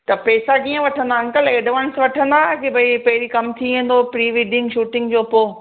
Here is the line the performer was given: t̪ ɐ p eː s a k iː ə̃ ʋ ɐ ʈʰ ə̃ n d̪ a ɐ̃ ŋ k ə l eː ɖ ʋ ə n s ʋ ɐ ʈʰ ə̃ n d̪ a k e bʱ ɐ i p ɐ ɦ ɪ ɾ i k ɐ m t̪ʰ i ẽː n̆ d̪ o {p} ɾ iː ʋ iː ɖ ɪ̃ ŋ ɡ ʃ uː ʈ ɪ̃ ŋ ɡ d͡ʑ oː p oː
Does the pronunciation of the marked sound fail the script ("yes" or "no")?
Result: no